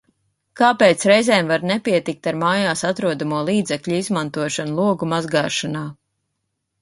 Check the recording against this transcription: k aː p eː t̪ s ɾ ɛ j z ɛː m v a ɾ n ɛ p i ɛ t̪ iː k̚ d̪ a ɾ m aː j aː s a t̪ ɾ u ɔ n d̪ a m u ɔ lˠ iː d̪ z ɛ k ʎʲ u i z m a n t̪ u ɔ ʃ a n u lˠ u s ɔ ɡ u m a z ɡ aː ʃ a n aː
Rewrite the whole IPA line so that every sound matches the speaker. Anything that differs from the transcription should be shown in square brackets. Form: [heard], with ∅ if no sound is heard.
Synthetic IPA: k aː p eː t̪ s ɾ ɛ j z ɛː m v a ɾ n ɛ p i ɛ t̪ [i] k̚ [t̪] a ɾ m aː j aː s a t̪ ɾ u ɔ [∅] d̪ a m u ɔ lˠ iː d̪ z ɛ k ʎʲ u i z m a n t̪ u ɔ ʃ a n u lˠ u [∅] ɔ ɡ u m a z ɡ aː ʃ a n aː